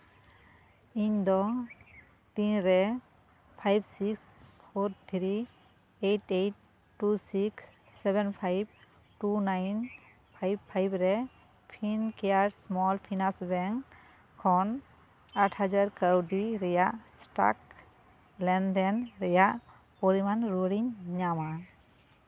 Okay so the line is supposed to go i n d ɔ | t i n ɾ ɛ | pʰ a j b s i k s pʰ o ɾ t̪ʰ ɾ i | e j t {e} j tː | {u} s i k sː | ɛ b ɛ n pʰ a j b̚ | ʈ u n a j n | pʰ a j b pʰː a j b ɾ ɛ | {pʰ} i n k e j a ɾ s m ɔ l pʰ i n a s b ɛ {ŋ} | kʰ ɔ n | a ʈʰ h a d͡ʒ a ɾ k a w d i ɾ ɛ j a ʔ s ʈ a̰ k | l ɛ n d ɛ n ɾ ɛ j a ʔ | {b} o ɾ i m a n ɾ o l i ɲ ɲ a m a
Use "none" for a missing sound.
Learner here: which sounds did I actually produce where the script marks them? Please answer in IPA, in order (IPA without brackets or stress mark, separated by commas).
e, u, pʰ, ŋ, p